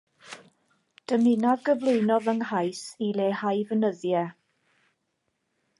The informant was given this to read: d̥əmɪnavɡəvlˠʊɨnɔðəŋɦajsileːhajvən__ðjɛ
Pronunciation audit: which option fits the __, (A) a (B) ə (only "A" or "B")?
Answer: B